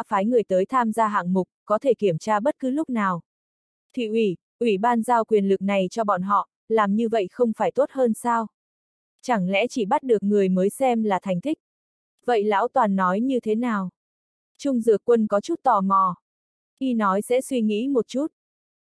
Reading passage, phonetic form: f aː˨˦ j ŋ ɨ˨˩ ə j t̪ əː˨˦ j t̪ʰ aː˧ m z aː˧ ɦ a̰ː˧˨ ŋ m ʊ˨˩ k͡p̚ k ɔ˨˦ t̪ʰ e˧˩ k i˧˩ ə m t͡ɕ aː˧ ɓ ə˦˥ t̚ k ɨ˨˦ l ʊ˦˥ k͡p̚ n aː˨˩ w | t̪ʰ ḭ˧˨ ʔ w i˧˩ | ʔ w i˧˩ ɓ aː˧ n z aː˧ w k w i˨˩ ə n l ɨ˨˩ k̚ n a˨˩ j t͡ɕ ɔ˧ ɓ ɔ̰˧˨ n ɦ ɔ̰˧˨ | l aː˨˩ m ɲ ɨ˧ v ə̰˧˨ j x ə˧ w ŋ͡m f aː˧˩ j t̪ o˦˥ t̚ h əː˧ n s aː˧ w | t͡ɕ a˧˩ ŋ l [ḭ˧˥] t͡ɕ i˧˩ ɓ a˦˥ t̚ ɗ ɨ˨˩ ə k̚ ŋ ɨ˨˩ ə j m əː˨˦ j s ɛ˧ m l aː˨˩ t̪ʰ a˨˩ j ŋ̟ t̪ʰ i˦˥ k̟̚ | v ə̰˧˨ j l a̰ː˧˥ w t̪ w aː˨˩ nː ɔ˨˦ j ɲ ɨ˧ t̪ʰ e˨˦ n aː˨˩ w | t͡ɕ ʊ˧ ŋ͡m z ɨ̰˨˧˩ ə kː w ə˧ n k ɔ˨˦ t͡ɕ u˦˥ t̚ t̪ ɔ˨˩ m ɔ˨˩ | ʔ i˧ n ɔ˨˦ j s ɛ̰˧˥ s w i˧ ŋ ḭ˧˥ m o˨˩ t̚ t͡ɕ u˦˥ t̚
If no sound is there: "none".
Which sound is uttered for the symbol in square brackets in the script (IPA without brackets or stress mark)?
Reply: ɛ̰˧˥